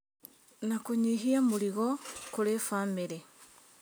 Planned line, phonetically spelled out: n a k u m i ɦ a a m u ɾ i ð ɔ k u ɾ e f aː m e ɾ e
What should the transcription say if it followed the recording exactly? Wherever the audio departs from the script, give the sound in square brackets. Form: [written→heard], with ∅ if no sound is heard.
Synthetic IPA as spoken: n a k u [m→ɲ] i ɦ [a→i] a m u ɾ i [ð→ɣ] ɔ k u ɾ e f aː m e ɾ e